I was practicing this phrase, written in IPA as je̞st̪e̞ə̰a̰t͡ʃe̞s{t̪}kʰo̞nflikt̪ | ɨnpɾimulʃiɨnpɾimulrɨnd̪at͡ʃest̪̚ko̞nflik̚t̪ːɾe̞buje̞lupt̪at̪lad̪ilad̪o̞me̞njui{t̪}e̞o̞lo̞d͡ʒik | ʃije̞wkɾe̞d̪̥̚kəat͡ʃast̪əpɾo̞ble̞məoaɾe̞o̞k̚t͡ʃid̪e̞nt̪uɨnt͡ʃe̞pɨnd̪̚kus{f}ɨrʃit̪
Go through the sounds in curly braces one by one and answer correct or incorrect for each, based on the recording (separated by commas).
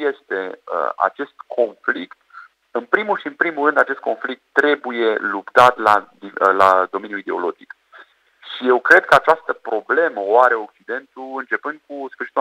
correct, incorrect, correct